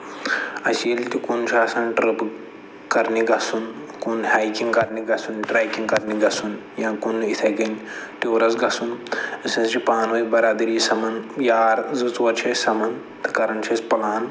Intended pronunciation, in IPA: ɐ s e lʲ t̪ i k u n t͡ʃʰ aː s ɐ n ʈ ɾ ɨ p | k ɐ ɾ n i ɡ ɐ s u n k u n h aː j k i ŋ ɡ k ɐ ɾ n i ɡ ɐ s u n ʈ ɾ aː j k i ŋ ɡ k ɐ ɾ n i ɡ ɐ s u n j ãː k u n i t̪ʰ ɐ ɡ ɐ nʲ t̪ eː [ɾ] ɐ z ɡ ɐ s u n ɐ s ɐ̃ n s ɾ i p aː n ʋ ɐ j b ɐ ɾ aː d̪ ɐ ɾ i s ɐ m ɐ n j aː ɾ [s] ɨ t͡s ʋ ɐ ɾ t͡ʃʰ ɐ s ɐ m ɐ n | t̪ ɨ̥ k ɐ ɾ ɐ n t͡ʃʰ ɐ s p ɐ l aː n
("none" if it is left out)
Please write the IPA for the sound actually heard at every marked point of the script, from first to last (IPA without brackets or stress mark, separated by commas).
ɾ, z